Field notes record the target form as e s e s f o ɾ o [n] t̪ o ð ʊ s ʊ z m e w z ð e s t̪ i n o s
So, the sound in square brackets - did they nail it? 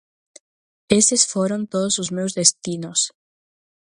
yes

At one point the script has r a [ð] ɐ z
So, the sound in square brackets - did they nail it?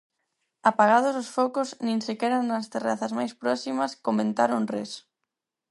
no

